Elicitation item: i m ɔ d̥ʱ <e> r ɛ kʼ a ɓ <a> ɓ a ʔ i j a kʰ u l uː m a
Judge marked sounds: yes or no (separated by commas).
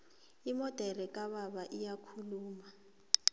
no, yes